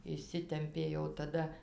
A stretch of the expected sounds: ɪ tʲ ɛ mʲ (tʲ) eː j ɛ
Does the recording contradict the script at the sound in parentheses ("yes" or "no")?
yes